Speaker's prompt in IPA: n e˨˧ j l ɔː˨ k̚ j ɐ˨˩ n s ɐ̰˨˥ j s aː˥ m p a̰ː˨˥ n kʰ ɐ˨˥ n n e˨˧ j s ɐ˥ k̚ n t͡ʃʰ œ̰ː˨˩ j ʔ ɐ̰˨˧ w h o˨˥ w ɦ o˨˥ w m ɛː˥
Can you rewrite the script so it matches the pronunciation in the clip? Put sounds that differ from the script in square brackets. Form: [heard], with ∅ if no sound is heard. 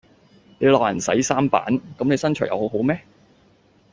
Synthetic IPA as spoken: n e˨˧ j l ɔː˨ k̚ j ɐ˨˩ n s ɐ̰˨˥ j s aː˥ m p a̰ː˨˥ n [k] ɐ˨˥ [m] n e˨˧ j s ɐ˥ [∅] n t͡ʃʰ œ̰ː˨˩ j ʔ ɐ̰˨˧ w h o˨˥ w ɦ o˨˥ w m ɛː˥